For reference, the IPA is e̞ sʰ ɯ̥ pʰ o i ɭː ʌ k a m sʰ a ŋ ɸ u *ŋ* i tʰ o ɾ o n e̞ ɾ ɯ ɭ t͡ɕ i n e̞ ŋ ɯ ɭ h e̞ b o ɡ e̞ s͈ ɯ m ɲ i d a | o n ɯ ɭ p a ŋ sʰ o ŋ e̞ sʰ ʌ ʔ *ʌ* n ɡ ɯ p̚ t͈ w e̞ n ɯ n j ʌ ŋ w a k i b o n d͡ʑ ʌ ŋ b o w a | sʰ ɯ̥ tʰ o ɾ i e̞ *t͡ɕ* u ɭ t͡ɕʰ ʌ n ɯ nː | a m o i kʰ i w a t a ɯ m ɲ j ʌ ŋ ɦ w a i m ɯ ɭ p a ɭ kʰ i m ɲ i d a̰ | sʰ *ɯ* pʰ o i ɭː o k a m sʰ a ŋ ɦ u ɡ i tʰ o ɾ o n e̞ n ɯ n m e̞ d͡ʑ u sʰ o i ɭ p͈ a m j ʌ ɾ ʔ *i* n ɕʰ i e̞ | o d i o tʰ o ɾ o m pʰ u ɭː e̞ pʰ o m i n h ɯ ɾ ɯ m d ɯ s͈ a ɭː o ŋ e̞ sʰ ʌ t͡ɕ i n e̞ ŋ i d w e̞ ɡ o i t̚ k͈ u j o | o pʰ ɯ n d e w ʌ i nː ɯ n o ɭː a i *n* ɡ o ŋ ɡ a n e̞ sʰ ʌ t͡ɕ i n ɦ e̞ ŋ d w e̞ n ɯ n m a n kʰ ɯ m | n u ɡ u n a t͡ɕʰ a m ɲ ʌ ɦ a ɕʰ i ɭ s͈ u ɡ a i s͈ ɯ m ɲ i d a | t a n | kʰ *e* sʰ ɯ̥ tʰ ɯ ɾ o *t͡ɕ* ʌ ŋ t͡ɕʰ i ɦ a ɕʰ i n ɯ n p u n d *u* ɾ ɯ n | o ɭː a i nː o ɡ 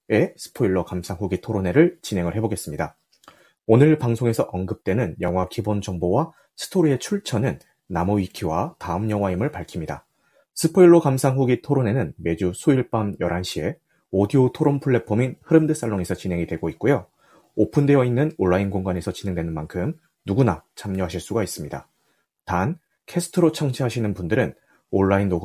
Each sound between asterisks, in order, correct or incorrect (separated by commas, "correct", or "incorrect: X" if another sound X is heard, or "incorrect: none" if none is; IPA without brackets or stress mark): incorrect: ɡ, correct, incorrect: t͡ɕʰ, correct, incorrect: a, correct, correct, incorrect: t͡ɕʰ, incorrect: ɯ